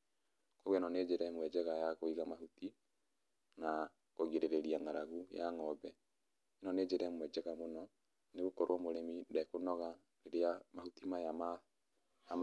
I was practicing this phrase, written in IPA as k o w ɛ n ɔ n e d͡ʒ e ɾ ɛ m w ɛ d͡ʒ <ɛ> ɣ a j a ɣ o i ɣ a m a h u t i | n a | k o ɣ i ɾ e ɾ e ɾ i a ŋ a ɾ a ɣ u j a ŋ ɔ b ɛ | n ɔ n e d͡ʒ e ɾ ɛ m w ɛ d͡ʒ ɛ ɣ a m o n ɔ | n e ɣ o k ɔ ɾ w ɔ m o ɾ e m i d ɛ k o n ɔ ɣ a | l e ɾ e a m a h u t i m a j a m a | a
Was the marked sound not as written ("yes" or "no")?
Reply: no